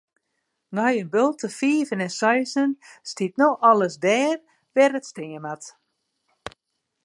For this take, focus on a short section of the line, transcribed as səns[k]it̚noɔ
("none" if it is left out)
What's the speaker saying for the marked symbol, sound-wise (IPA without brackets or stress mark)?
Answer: t